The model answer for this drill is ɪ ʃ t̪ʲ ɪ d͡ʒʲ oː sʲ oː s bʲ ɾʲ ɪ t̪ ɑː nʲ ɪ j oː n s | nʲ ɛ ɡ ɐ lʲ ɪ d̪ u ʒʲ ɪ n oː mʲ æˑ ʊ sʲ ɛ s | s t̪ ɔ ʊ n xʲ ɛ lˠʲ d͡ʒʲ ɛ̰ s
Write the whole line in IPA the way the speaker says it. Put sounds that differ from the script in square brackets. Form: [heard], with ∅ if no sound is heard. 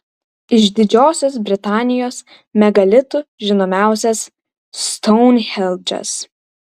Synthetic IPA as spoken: ɪ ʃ [d̪ʲ] ɪ d͡ʒʲ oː sʲ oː s bʲ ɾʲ ɪ t̪ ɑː nʲ ɪ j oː [∅] s | [mʲ] ɛ ɡ ɐ lʲ ɪ [t̪] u ʒʲ ɪ n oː mʲ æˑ ʊ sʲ ɛ s | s t̪ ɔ ʊ n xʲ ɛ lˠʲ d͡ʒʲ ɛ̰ s